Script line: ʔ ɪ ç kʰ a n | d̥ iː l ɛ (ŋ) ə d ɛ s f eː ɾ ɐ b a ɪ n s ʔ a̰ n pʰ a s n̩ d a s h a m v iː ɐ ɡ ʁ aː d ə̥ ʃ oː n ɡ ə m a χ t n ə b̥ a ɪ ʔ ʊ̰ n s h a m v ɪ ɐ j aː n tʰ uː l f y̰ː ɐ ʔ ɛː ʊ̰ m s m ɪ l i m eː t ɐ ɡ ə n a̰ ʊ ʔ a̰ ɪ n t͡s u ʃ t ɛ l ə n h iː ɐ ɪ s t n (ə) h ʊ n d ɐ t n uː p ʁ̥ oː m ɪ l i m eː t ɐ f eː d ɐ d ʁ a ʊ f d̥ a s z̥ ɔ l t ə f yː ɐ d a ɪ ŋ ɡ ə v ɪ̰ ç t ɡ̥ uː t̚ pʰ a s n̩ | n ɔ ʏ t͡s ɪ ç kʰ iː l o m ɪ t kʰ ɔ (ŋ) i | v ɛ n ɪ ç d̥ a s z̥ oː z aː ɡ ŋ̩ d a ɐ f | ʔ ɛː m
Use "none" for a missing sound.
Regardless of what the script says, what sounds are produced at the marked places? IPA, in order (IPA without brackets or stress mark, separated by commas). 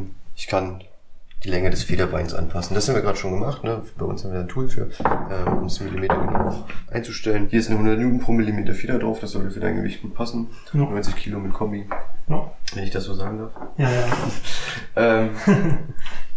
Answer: ŋ, ə, m